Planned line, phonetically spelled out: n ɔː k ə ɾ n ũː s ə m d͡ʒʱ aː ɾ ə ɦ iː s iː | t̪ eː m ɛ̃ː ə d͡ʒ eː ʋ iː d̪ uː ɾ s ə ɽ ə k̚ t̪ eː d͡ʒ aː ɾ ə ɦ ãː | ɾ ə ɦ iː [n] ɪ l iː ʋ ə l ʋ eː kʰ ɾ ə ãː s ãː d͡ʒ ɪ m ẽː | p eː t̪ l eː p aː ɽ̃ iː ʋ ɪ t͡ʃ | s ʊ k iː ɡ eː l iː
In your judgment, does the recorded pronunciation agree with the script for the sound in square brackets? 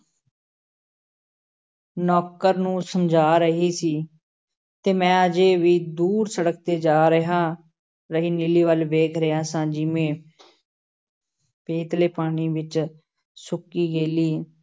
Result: yes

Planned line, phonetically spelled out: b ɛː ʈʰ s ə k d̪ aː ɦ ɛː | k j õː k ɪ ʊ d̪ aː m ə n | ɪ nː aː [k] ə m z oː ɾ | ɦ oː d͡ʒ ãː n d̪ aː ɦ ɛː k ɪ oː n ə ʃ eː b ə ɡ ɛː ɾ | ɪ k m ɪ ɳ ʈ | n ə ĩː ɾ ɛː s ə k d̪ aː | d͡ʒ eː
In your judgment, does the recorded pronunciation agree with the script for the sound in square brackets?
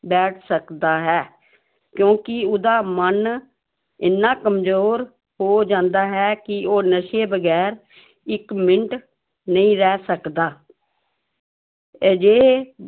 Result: yes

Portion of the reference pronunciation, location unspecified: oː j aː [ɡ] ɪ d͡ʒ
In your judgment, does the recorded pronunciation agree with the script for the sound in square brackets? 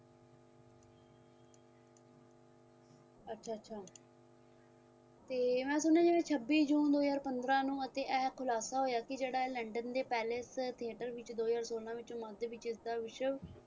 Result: no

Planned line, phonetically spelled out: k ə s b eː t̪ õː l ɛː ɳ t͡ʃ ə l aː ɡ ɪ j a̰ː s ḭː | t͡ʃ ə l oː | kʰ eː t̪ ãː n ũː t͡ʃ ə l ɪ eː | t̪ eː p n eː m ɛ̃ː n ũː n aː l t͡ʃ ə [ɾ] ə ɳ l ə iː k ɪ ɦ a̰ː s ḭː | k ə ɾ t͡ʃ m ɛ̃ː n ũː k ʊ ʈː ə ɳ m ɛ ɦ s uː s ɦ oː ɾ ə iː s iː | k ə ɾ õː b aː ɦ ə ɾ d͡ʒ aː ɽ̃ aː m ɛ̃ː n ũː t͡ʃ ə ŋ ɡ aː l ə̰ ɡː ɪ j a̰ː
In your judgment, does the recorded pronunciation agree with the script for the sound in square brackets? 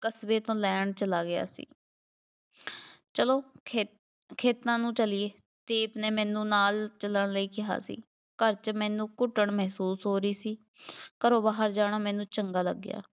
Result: no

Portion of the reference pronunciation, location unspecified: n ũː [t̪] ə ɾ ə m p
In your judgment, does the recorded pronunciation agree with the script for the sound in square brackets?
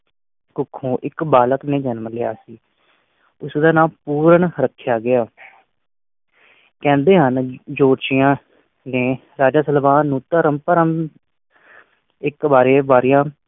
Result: yes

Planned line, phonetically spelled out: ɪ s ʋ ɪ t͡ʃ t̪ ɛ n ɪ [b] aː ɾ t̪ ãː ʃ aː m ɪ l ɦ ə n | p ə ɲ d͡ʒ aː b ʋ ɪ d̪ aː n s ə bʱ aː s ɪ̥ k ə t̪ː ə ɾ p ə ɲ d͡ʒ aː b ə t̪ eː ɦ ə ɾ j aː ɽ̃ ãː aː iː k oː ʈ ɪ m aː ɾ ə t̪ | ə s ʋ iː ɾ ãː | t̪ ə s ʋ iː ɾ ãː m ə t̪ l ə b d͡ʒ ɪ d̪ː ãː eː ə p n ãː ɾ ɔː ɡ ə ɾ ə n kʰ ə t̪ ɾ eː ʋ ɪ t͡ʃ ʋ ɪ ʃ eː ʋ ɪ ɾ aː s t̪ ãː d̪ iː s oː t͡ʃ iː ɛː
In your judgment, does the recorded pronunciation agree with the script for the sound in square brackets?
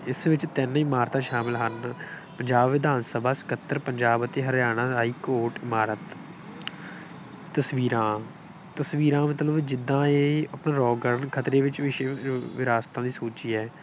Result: no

